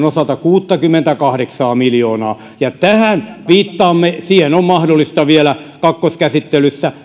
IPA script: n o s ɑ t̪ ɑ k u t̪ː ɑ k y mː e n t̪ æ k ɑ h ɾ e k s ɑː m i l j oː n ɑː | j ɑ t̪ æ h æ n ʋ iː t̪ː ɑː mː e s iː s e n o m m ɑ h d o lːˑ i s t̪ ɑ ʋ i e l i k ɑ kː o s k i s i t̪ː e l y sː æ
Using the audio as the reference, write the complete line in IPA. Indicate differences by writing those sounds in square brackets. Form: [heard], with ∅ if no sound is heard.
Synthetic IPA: n o s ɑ t̪ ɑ k [uː] t̪ː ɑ k y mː e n t̪ æ k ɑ h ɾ e k s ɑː m i l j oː n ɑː | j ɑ t̪ æ h æ n ʋ iː t̪ː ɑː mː e s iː [h] e n o m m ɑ h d o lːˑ i s t̪ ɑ ʋ i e l [æ] k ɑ kː o s k [æ] s i t̪ː e l y sː æ

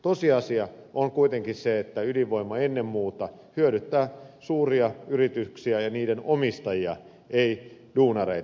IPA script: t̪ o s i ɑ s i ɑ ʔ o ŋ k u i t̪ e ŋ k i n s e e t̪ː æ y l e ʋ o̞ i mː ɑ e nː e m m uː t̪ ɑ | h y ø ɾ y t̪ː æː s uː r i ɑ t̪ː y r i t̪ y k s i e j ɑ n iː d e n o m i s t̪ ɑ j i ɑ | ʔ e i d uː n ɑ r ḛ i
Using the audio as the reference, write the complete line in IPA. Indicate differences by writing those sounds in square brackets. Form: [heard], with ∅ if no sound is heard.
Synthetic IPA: t̪ o s i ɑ s i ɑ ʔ o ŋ k u i t̪ e ŋ k i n s e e t̪ː æ y l [i] ʋ o̞ i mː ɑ e nː e m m uː t̪ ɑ | h y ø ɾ y t̪ː æː s uː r i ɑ [∅] y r i t̪ y k s i [æ] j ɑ n iː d e n o m i s t̪ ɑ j i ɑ | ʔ e i d uː n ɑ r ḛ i

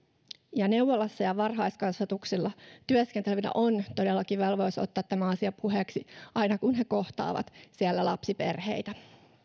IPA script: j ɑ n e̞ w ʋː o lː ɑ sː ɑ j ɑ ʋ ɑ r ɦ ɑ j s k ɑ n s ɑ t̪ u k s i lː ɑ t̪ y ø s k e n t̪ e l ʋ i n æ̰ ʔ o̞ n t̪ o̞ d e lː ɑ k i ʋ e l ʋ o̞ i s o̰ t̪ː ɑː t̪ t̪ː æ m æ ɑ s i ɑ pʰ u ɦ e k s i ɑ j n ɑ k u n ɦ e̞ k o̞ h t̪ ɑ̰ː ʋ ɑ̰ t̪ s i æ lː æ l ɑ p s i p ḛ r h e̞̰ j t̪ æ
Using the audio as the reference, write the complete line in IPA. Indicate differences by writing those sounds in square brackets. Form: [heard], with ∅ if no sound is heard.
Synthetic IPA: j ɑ n e̞ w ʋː o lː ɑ sː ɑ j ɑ ʋ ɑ r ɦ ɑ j s k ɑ n s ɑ t̪ u k s i lː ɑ t̪ y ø s k e n t̪ e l ʋ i n æ̰ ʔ o̞ n t̪ o̞ d e lː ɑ k i ʋ e l ʋ o̞ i s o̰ t̪ː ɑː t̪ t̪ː æ m æ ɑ s i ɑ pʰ u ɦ e k s i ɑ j n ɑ k u n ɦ e̞ k o̞ h t̪ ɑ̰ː ʋ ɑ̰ t̪ s i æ lː æ l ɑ p s i p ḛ r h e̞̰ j t̪ æ

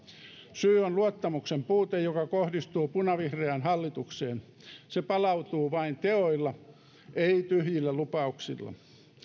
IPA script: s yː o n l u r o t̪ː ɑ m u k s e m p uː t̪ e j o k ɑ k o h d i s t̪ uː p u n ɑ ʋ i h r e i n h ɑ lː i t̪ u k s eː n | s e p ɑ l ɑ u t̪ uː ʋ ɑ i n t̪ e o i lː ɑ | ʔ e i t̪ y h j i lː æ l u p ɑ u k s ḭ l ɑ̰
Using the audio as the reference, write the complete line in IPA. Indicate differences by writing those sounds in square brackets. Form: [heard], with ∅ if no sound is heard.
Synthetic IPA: s yː o n l u [∅] o t̪ː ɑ m u k s e m p uː t̪ e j o k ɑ k o h d i s t̪ uː p u n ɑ ʋ i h r e [æ] n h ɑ lː i t̪ u k s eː n | s e p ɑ l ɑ u t̪ uː ʋ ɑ i n t̪ e o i lː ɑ | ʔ e i t̪ y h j i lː æ l u p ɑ u k s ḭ [lː] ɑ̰

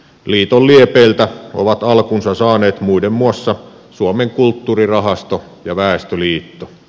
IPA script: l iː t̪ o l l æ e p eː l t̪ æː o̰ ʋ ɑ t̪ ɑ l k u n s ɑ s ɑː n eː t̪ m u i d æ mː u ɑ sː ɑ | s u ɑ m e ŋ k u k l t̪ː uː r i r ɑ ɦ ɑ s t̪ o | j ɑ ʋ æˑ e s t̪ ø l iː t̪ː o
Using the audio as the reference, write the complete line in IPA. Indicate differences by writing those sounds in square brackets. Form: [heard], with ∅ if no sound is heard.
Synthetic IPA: l iː t̪ o l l [i] e p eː l t̪ [æ] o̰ ʋ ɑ t̪ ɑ l k u n s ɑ s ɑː n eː t̪ m u i d [e] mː u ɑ sː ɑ | s u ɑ m e ŋ k u [∅] l t̪ː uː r i r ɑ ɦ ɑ s t̪ o | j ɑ ʋ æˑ e s t̪ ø l iː t̪ː o

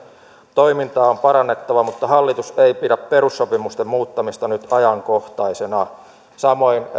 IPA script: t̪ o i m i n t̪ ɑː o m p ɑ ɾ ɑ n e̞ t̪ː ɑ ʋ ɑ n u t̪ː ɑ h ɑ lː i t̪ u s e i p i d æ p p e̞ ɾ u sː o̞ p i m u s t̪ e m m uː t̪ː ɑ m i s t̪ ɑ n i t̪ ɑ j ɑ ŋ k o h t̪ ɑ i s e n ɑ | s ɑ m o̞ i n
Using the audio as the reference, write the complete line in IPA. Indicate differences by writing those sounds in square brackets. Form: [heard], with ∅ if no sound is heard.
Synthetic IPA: t̪ o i m i n t̪ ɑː o m p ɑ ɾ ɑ [nː] e̞ t̪ː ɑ ʋ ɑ [m] u t̪ː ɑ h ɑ lː i t̪ u s e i p i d æ p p e̞ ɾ u sː o̞ p i m u s t̪ e m m uː t̪ː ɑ m i s t̪ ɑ n [y] t̪ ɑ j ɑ ŋ k o h t̪ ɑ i s e n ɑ | s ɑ m o̞ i n

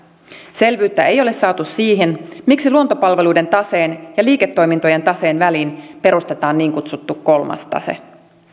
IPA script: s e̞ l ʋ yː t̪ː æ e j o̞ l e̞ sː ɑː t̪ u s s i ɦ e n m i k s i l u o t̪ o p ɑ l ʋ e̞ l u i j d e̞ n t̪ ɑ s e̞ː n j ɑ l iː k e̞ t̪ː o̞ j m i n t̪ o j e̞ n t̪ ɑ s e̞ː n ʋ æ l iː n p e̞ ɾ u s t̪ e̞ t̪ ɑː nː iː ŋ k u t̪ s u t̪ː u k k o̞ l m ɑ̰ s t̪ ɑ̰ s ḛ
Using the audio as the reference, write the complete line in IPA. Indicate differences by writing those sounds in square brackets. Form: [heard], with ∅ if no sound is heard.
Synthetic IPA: s e̞ l ʋ yː t̪ː æ e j o̞ l e̞ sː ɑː t̪ u s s [iː] ɦ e n m i k s i l u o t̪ o p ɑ l ʋ e̞ l u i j d e̞ n t̪ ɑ s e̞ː n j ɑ l iː k e̞ t̪ː o̞ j m i n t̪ o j e̞ n t̪ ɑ s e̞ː n ʋ æ l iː n p e̞ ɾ u s t̪ e̞ t̪ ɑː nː iː ŋ k u t̪ s u t̪ː u k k o̞ l m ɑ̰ s t̪ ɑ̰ s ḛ

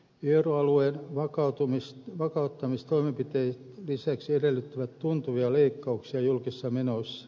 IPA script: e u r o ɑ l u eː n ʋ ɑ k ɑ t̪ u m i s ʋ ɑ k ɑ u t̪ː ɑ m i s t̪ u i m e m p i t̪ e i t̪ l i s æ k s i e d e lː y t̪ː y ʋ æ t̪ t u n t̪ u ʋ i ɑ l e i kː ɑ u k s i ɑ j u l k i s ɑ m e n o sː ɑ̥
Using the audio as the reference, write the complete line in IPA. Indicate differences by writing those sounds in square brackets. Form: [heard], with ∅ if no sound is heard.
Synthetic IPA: e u r o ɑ l u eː n ʋ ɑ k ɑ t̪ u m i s ʋ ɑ k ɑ u t̪ː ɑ m i s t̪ [o] i m e m p i t̪ e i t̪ l i s æ k s i e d e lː y t̪ː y ʋ æ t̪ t u n t̪ u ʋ i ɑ l e i kː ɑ u k s i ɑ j u l k i [sː] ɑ m e n o sː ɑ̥

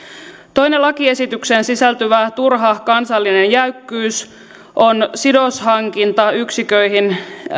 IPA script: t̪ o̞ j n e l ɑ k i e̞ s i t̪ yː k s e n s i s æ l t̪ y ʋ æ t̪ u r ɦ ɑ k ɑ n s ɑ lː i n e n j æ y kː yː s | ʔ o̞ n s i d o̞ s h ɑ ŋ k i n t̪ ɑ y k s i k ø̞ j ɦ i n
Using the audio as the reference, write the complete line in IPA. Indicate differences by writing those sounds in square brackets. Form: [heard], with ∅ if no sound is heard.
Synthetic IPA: t̪ o̞ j n e l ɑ k i e̞ s i t̪ [y] k s e n s i s æ l t̪ y ʋ æ t̪ u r ɦ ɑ k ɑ n s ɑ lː i n e n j æ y kː yː s | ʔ o̞ n s i d o̞ s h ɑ ŋ k i n t̪ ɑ y k s i k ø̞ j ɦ i n

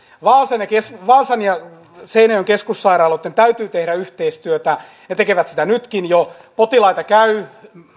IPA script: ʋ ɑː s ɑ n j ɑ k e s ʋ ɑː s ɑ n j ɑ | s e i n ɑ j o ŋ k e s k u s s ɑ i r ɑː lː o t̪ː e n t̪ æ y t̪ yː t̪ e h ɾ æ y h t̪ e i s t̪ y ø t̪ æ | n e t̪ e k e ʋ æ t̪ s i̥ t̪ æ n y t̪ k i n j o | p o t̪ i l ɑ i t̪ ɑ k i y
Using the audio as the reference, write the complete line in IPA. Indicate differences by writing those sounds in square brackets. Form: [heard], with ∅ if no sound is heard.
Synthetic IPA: ʋ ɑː s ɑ n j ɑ k e s ʋ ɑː s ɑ n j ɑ | s e i n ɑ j o ŋ k e s k u s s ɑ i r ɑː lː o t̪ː e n t̪ æ y t̪ yː t̪ e h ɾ æ y h t̪ e i s t̪ y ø t̪ æ | n e t̪ e k e ʋ æ t̪ s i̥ t̪ æ n y t̪ k i n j o | p o t̪ i l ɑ i t̪ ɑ k [æ] y

